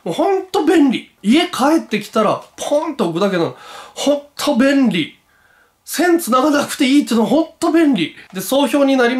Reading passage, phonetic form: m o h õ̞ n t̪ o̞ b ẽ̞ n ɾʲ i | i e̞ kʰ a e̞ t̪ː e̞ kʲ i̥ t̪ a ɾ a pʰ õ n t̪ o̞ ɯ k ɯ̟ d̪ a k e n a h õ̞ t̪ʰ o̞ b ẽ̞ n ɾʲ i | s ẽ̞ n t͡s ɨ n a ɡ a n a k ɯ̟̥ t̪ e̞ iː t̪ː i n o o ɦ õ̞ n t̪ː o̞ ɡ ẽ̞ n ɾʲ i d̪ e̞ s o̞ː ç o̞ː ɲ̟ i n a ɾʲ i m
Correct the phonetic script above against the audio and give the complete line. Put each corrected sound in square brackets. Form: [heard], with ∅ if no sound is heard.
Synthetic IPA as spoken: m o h õ̞ n t̪ o̞ b ẽ̞ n ɾʲ i | i e̞ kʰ a e̞ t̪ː e̞ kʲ i̥ t̪ a ɾ a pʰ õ n t̪ o̞ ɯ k ɯ̟ d̪ a k e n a h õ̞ t̪ʰ o̞ b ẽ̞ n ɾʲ i | s ẽ̞ n t͡s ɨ n a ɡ a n a k ɯ̟̥ t̪ e̞ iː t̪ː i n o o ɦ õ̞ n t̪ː o̞ [b] ẽ̞ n ɾʲ i d̪ e̞ s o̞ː ç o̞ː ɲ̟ i n a ɾʲ i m